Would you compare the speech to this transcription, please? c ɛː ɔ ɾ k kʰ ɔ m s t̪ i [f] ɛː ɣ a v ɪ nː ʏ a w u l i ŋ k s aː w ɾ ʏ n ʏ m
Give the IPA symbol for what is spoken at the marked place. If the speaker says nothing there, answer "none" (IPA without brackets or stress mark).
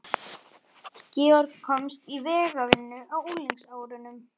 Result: v